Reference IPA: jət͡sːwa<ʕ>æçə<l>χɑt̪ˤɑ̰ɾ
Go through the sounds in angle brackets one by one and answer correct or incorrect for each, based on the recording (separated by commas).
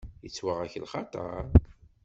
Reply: incorrect, correct